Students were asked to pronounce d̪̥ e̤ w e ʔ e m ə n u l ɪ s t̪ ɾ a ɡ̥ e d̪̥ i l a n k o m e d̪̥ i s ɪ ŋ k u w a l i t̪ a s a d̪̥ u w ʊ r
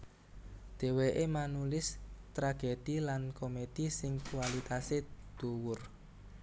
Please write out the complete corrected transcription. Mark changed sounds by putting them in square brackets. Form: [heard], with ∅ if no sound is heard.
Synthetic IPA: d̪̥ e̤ w e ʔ e m [a] n u l ɪ s t̪ ɾ a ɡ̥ e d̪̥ i l a n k o m e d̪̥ i s ɪ ŋ k u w a l i t̪ a s [e] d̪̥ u w ʊ r